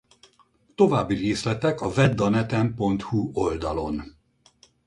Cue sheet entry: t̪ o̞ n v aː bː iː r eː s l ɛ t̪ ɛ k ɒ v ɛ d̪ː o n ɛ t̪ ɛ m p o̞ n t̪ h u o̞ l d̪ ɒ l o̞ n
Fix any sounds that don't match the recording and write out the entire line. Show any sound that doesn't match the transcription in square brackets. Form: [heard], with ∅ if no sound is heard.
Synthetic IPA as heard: t̪ o̞ [∅] v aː bː [i] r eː s l ɛ t̪ ɛ k ɒ v ɛ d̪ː [ɒ] n ɛ t̪ ɛ m p o̞ n t̪ h u o̞ l d̪ ɒ l o̞ n

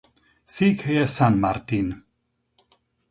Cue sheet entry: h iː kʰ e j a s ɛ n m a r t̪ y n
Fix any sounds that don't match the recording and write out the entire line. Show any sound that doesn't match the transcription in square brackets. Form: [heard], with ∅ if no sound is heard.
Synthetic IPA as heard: [s] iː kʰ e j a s [a] n m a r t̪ [i] n

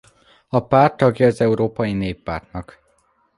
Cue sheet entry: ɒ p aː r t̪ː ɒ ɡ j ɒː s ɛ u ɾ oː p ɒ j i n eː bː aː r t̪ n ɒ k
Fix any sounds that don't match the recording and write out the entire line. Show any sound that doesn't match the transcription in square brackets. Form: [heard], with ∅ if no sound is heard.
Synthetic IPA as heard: ɒ p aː r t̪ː ɒ ɡ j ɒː [z] ɛ u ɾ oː p ɒ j i n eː [pː] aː r t̪ n ɒ k

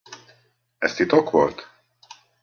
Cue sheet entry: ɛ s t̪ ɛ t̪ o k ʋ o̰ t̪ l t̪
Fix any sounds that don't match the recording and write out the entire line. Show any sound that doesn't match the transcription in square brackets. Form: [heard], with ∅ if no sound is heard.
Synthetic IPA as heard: ɛ s t̪ [i] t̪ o k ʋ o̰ [∅] l t̪

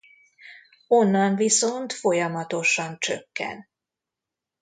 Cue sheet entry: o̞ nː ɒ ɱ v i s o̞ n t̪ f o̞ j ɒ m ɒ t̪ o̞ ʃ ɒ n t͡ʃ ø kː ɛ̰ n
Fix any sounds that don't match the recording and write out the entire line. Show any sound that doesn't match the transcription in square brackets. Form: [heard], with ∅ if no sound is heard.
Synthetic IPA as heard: o̞ nː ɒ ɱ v i s o̞ n t̪ f o̞ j ɒ m ɒ t̪ o̞ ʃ ɒ n t͡ʃ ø kː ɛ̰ n

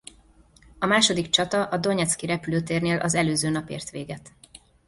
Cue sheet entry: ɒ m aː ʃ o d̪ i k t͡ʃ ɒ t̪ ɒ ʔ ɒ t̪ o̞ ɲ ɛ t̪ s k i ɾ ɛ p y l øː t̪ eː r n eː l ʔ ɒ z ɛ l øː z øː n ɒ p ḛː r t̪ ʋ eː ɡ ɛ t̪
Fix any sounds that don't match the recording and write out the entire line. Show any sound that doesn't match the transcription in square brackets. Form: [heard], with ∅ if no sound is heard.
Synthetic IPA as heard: ɒ m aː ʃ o d̪ i k t͡ʃ ɒ t̪ ɒ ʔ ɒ [d̪] o̞ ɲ ɛ t̪ s k i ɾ ɛ p y l øː t̪ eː r n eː l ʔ ɒ z ɛ l øː z øː n ɒ p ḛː r t̪ ʋ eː ɡ ɛ t̪

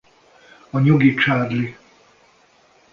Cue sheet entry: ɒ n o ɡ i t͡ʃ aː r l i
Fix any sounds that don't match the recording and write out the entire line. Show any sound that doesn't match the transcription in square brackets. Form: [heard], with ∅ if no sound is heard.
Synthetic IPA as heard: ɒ [ɲ] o ɡ i t͡ʃ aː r l i

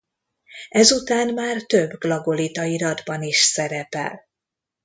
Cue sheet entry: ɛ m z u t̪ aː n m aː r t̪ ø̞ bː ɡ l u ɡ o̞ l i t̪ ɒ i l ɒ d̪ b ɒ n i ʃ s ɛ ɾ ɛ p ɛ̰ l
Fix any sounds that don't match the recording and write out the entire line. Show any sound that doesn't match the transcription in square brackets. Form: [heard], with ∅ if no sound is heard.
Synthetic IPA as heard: ɛ [∅] z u t̪ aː n m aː r t̪ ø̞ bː ɡ l [ɒ] ɡ o̞ l i t̪ ɒ i [ɾ] ɒ d̪ b ɒ n i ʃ s ɛ ɾ ɛ p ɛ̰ l

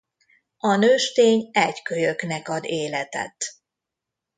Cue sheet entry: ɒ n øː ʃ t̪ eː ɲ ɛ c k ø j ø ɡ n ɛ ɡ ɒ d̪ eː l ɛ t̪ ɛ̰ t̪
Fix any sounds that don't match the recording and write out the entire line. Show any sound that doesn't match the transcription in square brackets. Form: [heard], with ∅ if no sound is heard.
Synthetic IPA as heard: ɒ n øː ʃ t̪ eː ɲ ɛ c k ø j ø [k] n ɛ [k] ɒ d̪ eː l ɛ t̪ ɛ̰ t̪

